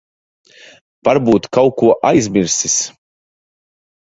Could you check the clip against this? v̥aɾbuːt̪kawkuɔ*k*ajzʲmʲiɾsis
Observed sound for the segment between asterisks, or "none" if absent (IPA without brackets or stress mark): ʔ